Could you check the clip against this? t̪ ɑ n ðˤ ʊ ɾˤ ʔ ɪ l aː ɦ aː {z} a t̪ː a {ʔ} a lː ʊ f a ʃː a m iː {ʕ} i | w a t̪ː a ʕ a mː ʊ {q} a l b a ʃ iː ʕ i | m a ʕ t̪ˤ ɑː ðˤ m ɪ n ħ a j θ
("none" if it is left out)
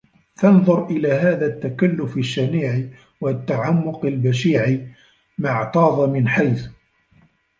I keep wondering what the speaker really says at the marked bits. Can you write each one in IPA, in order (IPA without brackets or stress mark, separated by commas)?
ð, k, ʕ, q